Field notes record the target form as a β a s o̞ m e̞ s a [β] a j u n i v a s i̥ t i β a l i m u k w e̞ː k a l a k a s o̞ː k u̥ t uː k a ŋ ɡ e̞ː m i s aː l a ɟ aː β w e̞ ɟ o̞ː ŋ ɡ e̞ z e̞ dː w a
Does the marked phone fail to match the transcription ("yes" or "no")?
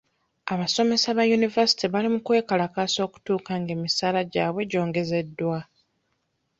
no